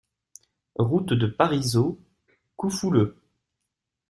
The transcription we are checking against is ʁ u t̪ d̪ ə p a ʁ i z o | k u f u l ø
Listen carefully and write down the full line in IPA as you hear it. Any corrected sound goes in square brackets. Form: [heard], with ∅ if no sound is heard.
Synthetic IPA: ʁ u t̪ d̪ ə p a ʁ i z o | k u f u l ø